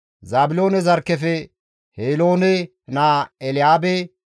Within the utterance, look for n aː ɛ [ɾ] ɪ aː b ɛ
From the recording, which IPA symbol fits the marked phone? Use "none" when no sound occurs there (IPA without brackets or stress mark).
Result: l